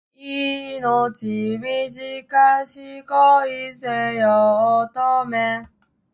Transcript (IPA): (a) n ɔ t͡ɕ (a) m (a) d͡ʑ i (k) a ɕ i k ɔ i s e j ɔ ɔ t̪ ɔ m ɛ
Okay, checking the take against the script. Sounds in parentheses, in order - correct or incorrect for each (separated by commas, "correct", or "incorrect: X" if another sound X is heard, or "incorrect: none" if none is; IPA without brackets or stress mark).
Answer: incorrect: i, incorrect: i, incorrect: i, correct